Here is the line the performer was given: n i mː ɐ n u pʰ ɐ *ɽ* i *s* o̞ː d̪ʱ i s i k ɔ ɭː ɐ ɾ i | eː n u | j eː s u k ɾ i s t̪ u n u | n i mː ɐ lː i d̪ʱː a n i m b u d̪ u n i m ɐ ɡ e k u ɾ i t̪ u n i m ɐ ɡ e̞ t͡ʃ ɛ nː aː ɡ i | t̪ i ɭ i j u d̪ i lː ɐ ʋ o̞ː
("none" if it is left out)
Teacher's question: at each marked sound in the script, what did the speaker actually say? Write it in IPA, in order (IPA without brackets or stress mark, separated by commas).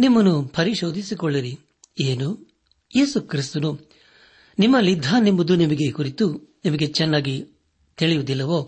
ɾ, ʃ